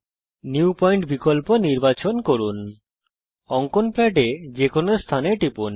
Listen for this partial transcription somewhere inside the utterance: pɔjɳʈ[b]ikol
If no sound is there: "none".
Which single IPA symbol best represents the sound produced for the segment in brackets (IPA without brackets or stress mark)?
b